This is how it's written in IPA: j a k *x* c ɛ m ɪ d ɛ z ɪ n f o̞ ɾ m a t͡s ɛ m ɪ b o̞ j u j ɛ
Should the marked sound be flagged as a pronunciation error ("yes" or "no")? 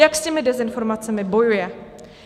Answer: yes